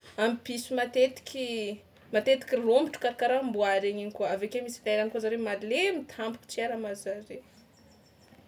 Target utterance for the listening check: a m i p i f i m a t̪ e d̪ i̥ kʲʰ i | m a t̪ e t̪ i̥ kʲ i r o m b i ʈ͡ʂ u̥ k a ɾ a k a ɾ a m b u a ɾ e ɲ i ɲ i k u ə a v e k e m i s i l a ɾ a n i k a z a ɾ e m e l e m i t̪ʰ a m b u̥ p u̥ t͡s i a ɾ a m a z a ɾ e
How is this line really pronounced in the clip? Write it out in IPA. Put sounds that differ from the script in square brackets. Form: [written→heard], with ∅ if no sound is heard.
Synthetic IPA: a m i p i [f→s] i m a t̪ e [d̪→t̪] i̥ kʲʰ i | m a t̪ e t̪ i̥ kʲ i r o m b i ʈ͡ʂ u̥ k a ɾ a k a ɾ a m b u a ɾ e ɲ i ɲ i k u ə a v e k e m i s i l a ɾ a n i k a z a ɾ e m [e→a] l e m i t̪ʰ a m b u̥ [p→k] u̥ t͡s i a ɾ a m a z a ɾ e